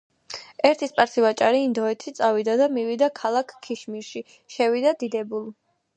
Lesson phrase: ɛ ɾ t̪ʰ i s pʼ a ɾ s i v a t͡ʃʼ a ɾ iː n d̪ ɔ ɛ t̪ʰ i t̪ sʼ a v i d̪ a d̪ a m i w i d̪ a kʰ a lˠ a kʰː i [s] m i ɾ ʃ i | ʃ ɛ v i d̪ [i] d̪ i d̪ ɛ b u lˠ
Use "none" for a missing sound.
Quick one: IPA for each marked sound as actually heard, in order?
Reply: ʃ, a

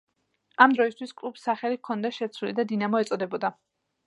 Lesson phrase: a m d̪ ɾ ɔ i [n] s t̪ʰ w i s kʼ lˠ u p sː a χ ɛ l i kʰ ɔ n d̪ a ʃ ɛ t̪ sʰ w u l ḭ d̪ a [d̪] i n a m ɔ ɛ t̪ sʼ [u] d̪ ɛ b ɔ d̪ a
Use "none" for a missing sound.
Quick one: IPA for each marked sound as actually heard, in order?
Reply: none, d̪, ɔ

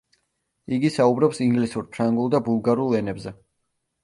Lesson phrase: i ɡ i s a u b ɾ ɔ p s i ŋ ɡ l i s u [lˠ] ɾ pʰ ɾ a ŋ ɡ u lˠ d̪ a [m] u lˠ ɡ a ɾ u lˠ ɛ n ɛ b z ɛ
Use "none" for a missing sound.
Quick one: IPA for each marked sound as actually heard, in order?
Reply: none, b

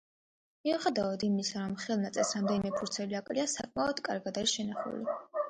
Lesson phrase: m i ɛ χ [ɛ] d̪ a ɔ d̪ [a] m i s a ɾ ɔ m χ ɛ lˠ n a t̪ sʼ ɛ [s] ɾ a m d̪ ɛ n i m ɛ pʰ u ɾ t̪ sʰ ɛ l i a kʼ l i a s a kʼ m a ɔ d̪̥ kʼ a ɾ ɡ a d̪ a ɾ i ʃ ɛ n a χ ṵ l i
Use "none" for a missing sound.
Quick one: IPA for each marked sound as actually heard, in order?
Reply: ɛ, i, s

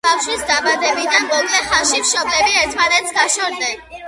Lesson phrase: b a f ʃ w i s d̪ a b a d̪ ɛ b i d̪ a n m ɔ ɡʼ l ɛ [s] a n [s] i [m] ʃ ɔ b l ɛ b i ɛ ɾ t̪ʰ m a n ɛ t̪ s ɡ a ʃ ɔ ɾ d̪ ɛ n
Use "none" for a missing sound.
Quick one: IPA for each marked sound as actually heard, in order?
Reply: χ, ʃ, m

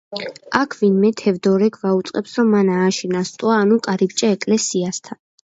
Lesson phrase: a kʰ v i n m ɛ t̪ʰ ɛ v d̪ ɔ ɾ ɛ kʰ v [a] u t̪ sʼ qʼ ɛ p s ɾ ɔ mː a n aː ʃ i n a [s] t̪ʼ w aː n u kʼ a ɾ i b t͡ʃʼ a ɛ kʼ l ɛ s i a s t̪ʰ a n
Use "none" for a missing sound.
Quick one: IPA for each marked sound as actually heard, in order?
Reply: a, s

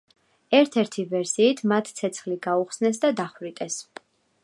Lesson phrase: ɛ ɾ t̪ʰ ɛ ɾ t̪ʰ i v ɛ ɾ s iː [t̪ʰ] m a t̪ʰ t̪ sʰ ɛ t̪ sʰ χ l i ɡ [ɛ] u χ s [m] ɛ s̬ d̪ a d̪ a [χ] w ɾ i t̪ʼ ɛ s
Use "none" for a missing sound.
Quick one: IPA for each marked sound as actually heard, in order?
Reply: t̪ʰ, a, n, χ

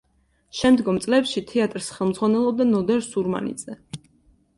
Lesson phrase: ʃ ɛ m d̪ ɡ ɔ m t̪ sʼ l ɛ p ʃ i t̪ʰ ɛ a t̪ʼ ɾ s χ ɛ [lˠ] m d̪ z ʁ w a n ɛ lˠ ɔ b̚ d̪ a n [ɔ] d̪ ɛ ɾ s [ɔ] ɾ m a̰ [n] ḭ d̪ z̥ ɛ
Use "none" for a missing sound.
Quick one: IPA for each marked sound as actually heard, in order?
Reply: lˠ, ɔ, u, n

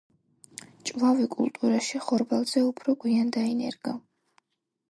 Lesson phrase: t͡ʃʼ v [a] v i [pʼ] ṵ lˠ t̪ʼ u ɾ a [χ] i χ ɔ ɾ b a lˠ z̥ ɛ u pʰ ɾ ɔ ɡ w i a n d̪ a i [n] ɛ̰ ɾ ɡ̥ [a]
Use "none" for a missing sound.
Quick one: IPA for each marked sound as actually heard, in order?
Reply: a, kʼ, ʃ, n, a

